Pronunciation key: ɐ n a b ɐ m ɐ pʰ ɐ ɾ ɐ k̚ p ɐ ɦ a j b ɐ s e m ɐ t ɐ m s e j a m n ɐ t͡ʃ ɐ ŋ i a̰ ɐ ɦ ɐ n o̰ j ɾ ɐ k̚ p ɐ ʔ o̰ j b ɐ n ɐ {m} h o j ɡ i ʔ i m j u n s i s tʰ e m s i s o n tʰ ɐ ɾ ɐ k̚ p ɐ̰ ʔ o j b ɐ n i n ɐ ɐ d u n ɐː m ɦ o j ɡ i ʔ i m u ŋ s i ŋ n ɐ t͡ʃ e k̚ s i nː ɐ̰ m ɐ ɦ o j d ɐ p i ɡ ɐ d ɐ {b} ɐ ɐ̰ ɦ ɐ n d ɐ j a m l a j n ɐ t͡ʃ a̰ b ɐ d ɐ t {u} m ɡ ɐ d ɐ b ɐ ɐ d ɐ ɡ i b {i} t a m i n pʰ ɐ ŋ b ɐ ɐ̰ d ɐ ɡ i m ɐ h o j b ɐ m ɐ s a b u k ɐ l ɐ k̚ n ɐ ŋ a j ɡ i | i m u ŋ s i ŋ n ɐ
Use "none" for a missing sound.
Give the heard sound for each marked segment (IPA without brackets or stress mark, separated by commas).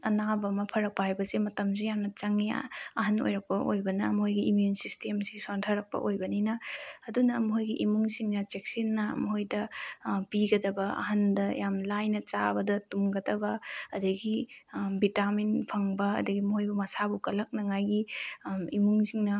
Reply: m, b, u, i